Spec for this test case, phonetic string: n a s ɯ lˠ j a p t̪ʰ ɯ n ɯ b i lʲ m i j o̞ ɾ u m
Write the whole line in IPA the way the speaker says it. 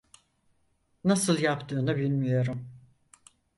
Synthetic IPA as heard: n a s ɯ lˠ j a p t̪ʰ ɯː n ɯ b i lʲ m i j o̞ ɾ u m